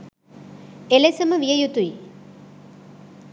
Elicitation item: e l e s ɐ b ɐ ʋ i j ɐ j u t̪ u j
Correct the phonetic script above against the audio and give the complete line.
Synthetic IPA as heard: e l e s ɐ m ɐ ʋ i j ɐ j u t̪ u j

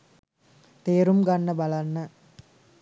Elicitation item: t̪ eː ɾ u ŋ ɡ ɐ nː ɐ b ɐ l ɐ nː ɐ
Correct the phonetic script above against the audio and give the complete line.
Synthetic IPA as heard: t̪ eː ɾ u m ɡ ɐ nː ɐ b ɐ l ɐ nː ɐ

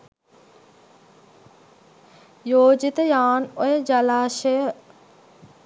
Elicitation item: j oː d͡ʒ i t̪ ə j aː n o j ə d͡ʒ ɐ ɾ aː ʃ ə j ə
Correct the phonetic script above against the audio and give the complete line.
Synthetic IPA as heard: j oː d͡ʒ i t̪ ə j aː n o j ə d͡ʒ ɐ l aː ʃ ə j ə

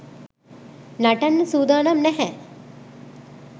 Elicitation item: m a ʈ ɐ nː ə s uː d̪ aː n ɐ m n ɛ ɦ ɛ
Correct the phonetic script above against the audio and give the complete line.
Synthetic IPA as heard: n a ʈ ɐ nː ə s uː d̪ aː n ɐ m n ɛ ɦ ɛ

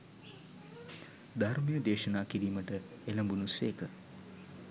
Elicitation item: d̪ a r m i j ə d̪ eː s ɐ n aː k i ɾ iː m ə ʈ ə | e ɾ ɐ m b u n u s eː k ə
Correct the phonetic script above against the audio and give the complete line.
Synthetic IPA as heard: d̪ a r m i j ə d̪ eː ʃ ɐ n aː k i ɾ iː m ə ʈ ə | e l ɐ m b u n u s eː k ə

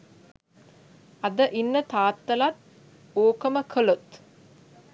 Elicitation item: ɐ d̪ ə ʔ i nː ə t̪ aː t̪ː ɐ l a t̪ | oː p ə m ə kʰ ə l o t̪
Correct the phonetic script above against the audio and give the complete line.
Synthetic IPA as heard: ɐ d̪ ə ʔ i nː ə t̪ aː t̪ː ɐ l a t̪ | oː k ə m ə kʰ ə l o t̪

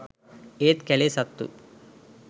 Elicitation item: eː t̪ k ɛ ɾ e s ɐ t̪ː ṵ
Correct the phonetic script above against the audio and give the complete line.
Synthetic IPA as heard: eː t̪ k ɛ l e s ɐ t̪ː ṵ

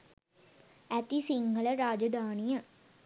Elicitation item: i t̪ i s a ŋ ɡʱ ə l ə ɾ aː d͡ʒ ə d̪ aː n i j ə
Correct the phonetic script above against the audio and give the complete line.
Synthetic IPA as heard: æ t̪ i s i ŋ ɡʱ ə l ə ɾ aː d͡ʒ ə d̪ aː n i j ə

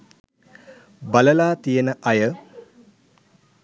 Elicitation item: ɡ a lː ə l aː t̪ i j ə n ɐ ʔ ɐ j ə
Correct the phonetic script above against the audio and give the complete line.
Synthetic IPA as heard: b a l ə l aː t̪ i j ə n ə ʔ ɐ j ə

